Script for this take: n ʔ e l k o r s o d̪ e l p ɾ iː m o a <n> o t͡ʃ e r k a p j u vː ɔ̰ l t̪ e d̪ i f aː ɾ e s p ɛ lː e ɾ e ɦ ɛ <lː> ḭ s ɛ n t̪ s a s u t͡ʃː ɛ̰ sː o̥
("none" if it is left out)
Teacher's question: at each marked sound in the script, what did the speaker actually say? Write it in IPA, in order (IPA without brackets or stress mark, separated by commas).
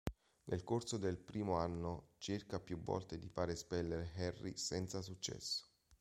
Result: nː, rː